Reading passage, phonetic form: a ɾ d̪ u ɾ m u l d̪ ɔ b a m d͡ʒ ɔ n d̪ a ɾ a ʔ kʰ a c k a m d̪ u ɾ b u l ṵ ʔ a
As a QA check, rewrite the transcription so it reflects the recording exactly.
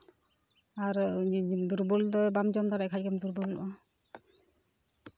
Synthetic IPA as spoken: a ɾ d̪ u ɾ b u l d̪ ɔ b a m d͡ʒ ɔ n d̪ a ɾ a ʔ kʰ a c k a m d̪ u ɾ b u l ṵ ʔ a

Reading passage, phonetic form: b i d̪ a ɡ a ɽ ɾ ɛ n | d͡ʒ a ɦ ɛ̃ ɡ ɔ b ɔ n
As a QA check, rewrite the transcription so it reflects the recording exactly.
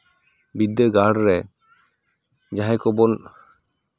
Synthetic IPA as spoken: b i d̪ ə ɡ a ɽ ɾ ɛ | d͡ʒ a ɦ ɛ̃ k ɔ b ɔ n

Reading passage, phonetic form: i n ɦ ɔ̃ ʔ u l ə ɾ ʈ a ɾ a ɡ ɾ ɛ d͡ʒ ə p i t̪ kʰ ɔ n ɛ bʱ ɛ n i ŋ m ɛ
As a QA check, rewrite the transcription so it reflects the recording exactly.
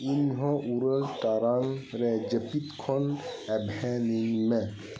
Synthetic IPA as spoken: i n ɦ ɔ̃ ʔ u ɾ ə l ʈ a ɾ a ŋ ɾ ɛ d͡ʒ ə p i t̪ kʰ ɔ n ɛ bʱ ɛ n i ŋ m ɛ

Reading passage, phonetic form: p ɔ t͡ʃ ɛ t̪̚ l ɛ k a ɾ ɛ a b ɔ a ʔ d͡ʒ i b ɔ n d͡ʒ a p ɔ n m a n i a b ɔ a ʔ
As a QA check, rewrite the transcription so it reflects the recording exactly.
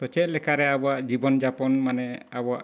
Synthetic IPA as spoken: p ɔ t͡ʃ ɛ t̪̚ l ɛ k a ɾ ɛ a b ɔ a ʔ d͡ʒ i b ɔ n d͡ʒ a p ɔ n m a n ɛ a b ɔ a ʔ

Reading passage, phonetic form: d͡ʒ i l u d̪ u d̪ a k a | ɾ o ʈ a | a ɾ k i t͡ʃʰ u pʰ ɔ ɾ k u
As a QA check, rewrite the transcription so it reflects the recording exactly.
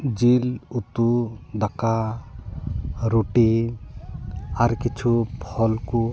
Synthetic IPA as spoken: d͡ʒ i l u t̪ u d̪ a k a | ɾ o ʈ i | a ɾ k i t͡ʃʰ u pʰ ɔ l k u

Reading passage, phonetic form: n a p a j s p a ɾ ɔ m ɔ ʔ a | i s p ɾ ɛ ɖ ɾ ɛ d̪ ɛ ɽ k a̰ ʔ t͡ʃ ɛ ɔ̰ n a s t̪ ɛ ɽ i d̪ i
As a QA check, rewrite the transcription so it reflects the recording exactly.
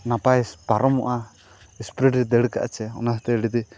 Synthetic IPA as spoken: n a p a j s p a ɾ ɔ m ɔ ʔ a | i s p ɾ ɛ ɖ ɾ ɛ d̪ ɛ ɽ k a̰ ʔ t͡ʃ ɛ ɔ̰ n a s t̪ ɛ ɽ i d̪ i

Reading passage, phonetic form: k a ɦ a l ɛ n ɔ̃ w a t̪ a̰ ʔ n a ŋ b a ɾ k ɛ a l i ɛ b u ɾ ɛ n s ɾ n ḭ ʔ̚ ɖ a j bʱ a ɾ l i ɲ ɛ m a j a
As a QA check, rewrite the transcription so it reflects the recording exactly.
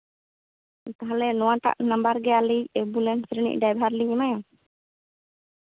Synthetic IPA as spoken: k a ɦ a l ɛ n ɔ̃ w a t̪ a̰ ʔ n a m b a ɾ ɡ ɛ a l i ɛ b u l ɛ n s ɾ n ḭ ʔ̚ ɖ a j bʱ a ɾ l i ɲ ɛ m a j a

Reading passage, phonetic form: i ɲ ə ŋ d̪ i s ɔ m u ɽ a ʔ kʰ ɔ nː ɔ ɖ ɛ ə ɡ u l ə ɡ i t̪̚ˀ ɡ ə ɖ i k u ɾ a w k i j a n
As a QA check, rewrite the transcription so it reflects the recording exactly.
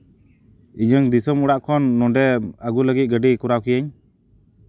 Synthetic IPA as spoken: i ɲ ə ŋ d̪ i s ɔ m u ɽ a ʔ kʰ ɔ nː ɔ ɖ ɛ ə ɡ u l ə ɡ i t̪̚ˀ ɡ ə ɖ i k u ɾ a w k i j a ɲ

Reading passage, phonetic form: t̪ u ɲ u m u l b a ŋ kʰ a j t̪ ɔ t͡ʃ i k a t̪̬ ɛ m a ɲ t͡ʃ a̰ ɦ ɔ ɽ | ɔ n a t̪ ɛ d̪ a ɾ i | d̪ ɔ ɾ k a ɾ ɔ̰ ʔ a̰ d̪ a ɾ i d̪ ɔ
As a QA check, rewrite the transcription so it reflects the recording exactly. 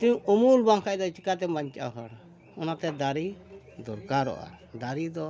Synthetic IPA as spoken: t̪ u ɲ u m u l b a ŋ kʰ a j d̪ ɔ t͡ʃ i k a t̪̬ ɛ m a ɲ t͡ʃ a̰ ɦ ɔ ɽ | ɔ n a t̪ ɛ d̪ a ɾ i | d̪ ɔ ɾ k a ɾ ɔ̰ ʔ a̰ d̪ a ɾ i d̪ ɔ

